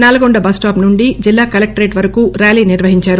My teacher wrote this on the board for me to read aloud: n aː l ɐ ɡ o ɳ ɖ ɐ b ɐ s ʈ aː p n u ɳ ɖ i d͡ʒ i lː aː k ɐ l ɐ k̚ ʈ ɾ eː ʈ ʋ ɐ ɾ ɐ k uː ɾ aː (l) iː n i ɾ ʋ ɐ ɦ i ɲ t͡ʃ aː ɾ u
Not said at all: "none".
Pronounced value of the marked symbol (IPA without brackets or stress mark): l